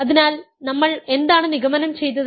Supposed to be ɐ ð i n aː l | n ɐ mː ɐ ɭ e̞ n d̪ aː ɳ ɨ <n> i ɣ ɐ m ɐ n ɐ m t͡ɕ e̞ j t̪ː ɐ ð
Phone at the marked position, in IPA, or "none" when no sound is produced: n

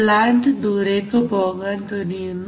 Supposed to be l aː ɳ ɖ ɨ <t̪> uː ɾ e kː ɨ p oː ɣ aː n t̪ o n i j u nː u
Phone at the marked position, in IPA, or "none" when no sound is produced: d̪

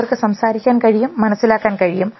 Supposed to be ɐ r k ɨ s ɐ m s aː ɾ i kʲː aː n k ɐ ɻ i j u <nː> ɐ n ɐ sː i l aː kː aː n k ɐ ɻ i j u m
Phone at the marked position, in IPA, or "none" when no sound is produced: mː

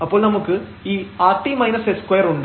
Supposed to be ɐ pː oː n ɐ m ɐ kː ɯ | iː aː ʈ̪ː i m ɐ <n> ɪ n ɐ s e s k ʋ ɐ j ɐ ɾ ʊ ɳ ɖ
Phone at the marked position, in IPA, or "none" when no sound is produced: none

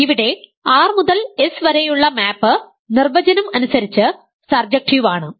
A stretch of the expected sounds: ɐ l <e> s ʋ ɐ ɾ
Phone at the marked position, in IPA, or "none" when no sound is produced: e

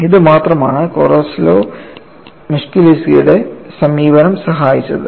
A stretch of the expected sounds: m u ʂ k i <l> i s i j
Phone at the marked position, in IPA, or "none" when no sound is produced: l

